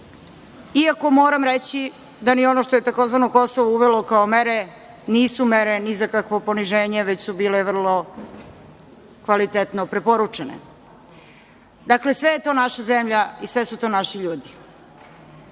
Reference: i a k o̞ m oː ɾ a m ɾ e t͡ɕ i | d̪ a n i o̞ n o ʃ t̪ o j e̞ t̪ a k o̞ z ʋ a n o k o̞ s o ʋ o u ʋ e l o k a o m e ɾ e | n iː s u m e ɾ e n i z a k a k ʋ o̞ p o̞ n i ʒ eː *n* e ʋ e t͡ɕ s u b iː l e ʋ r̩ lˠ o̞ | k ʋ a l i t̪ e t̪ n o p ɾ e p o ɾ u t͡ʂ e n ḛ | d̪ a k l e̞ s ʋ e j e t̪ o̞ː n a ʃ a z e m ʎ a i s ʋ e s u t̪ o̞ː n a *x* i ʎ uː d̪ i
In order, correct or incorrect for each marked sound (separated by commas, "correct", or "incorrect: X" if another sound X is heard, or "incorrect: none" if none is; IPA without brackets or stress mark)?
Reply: incorrect: ɲ, incorrect: ʃ